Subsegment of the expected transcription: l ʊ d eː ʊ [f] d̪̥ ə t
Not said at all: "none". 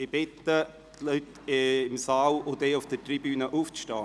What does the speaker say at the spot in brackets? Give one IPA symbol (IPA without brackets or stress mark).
f